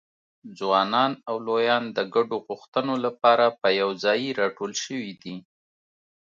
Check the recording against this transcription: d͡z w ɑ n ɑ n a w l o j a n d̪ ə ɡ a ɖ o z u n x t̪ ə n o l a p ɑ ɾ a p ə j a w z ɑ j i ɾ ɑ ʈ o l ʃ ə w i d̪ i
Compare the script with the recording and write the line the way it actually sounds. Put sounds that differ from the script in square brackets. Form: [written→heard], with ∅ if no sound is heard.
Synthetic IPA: d͡z w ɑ n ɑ n a w l o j [a→ɑ] n d̪ ə ɡ a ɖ o [z→ɣ] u [n→∅] x t̪ ə n o l a p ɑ ɾ a p ə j a w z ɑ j i ɾ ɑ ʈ o l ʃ ə w i d̪ i